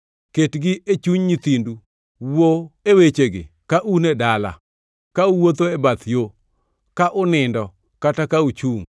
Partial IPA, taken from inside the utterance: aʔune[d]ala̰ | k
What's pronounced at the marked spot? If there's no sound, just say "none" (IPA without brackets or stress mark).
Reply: d